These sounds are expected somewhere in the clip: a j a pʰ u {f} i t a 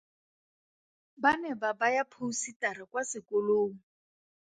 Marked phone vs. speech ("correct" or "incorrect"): incorrect